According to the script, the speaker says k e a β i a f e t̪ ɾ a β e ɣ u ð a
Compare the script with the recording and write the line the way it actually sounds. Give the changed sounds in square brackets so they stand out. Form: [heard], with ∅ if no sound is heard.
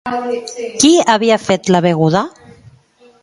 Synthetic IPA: k [i] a β i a f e t̪ [l] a β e ɣ u ð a